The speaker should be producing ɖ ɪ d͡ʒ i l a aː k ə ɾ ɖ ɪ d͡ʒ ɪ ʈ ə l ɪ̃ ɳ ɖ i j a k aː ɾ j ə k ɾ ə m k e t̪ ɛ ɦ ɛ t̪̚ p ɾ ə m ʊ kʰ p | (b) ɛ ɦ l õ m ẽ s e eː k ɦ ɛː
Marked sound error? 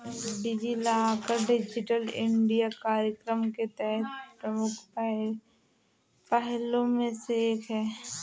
yes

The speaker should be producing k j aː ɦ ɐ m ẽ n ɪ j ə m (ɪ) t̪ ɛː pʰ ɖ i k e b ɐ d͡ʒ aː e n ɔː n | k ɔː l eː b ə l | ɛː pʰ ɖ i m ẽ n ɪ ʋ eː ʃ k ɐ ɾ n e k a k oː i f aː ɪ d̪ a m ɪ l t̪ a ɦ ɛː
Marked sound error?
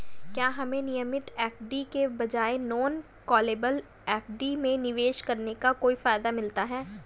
no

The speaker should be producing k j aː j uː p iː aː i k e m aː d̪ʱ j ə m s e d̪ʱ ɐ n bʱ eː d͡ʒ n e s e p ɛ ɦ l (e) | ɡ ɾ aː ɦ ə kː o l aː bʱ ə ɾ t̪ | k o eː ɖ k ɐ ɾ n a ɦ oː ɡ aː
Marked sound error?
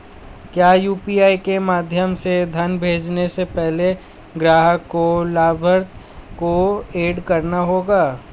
no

